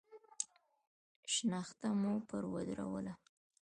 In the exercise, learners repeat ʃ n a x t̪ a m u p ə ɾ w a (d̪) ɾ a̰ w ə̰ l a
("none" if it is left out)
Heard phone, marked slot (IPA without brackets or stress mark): d̪